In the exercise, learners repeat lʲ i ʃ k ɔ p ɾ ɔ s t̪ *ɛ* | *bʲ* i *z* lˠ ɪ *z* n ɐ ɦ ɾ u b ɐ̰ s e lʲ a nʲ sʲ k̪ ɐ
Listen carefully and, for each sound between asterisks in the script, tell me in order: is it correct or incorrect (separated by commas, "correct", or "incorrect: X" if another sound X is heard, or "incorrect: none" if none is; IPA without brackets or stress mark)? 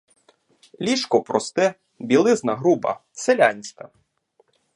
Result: correct, correct, incorrect: none, correct